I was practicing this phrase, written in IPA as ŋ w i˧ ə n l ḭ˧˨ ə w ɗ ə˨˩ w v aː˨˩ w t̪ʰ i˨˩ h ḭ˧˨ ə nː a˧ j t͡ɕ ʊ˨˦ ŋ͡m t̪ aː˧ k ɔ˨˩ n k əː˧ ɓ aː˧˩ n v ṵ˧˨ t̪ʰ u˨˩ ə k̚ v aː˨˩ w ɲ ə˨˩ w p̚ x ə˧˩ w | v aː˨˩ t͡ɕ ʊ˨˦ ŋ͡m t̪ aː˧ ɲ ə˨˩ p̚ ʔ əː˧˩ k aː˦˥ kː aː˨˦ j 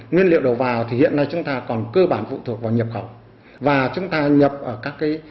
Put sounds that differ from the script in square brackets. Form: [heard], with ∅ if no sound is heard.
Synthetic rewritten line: ŋ w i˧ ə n l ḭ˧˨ ə w ɗ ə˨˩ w v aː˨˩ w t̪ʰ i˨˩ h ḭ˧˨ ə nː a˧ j t͡ɕ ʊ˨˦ ŋ͡m t̪ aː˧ k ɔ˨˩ n k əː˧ ɓ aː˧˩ n [f] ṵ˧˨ t̪ʰ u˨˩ ə k̚ v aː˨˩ w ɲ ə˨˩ [∅] p̚ x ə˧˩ w | v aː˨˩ t͡ɕ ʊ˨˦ ŋ͡m t̪ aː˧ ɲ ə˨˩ p̚ ʔ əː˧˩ k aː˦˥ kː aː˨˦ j